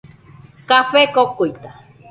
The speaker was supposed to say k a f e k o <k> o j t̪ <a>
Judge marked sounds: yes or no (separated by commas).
yes, yes